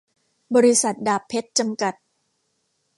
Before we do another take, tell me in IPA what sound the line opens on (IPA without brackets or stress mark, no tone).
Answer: b